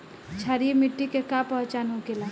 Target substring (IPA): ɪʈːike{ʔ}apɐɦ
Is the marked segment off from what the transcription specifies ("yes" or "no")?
yes